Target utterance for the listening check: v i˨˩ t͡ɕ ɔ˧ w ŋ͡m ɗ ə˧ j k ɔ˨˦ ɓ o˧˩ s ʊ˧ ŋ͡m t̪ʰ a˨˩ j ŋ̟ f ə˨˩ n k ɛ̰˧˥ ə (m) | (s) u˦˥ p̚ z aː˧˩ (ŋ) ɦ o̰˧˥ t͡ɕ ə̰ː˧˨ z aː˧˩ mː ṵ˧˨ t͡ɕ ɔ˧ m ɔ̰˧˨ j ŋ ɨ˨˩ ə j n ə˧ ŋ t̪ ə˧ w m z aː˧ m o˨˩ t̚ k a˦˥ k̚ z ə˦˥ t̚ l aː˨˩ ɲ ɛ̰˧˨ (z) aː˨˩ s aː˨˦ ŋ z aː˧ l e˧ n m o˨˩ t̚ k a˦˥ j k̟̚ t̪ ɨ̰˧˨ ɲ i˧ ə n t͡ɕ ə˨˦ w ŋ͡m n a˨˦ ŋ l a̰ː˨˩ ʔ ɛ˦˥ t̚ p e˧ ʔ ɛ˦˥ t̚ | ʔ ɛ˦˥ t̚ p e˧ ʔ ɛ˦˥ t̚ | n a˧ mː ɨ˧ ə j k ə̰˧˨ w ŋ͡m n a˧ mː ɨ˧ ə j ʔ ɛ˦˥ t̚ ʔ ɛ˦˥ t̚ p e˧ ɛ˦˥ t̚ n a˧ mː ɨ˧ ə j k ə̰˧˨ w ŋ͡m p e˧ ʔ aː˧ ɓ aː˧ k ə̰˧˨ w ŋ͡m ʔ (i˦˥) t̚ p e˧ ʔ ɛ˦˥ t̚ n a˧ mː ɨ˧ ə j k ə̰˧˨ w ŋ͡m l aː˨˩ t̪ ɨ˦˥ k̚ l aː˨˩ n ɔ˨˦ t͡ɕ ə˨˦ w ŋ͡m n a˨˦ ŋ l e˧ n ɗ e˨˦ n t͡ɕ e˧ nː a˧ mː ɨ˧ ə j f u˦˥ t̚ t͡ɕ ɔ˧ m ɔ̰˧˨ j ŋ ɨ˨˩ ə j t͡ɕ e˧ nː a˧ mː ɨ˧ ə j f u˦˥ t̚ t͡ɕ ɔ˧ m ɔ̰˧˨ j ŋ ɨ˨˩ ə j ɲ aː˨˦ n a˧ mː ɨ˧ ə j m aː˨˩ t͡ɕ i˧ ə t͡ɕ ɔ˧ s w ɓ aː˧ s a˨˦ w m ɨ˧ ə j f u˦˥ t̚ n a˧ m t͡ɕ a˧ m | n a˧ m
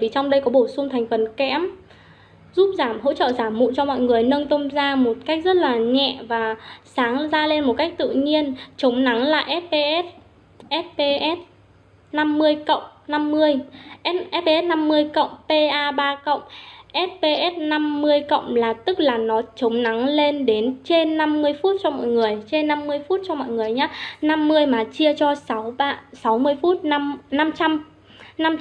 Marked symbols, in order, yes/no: yes, no, no, no, no

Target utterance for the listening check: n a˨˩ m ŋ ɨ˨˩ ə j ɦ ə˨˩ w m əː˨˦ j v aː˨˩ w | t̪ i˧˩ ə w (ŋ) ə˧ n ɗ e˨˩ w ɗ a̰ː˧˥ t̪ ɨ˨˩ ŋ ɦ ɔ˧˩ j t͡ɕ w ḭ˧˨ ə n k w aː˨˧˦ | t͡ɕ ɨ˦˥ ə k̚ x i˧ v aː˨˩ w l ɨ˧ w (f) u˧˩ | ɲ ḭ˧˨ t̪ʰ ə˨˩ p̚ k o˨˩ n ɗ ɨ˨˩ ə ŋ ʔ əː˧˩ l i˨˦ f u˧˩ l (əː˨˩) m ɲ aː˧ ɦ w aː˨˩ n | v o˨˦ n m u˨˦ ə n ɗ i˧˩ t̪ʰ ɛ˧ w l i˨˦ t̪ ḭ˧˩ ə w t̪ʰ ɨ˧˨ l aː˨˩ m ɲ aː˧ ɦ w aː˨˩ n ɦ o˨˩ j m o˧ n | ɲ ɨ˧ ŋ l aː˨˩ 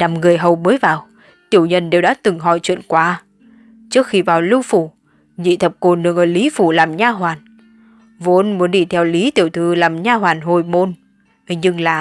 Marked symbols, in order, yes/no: no, yes, no

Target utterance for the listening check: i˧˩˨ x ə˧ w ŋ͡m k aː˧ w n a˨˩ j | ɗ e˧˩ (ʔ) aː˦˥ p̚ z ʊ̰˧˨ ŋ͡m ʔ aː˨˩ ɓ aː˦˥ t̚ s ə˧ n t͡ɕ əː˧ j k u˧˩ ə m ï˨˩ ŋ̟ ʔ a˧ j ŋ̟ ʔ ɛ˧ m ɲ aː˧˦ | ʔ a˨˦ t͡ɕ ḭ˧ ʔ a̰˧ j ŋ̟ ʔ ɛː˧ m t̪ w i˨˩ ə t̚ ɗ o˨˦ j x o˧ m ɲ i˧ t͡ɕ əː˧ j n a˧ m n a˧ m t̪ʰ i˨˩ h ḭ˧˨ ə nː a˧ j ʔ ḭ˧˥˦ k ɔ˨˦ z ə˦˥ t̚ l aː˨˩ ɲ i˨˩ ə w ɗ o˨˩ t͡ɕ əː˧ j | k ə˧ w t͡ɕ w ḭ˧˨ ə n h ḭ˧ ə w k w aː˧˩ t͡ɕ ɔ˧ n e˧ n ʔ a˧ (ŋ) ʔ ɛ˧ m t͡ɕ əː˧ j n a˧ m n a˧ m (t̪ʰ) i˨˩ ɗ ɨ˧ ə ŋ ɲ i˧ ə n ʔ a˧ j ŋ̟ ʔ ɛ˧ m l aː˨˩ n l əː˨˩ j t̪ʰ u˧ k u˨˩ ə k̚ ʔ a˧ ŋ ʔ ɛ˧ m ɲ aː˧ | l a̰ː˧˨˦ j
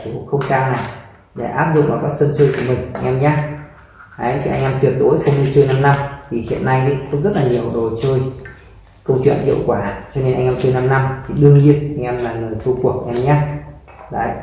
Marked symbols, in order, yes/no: yes, yes, yes

